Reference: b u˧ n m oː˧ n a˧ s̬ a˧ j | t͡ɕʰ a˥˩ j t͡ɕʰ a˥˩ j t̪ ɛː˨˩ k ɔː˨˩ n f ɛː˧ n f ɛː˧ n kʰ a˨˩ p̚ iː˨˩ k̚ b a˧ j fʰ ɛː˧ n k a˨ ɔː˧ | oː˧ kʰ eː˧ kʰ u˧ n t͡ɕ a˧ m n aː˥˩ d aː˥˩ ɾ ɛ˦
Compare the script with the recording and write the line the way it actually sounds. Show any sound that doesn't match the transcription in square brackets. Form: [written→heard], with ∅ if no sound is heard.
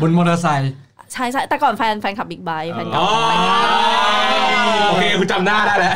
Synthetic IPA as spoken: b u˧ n m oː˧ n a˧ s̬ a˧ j | t͡ɕʰ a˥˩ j t͡ɕʰ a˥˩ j t̪ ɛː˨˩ k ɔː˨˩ n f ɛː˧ n f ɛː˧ n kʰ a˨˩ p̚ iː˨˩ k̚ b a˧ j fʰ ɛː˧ n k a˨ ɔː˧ | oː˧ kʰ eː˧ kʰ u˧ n t͡ɕ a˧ m n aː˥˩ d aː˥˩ [ɾ→l] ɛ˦